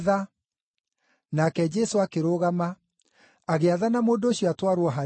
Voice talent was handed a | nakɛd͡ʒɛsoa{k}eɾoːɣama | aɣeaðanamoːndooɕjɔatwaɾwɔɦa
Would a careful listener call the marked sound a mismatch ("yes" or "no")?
no